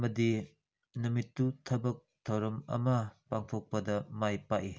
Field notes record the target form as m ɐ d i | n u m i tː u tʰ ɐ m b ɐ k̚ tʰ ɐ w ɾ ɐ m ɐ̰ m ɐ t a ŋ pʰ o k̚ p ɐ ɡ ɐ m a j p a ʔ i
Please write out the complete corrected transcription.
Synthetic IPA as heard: m ɐ d i | n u m i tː u tʰ ɐ b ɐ k̚ tʰ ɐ w ɾ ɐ m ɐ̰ m ɐ p a ŋ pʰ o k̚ p ɐ d ɐ m a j p a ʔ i